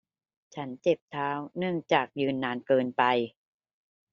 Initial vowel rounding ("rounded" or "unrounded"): unrounded